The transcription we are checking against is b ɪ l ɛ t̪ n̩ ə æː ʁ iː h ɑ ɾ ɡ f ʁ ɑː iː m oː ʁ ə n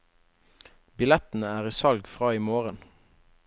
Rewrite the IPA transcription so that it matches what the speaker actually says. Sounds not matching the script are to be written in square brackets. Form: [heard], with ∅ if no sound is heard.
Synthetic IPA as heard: b ɪ l ɛ t̪ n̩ ə æː ʁ iː [s] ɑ [l] ɡ f ʁ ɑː iː m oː ʁ ə n